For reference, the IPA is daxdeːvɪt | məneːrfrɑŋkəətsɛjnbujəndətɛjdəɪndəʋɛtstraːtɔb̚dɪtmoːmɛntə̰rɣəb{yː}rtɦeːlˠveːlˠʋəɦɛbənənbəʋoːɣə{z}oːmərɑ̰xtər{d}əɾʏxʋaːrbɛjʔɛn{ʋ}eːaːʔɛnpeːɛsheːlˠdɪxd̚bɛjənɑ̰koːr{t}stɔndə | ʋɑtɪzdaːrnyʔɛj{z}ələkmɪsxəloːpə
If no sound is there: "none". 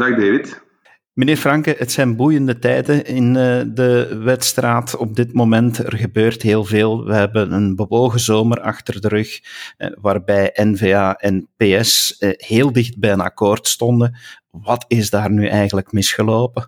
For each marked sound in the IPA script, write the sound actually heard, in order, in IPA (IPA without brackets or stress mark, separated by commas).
øː, z, d, v, t, ɣ